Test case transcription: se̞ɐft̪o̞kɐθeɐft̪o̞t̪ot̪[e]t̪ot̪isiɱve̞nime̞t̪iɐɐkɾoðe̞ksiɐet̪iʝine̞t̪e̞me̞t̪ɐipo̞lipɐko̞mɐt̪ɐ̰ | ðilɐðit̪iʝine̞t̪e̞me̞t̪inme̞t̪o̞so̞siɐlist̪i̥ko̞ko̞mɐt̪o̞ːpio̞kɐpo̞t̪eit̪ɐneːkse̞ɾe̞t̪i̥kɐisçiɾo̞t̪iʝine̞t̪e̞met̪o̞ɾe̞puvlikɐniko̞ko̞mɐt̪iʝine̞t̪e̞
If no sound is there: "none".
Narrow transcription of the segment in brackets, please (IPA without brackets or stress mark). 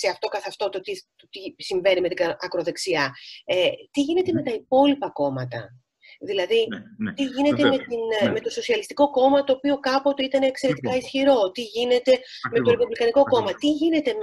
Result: i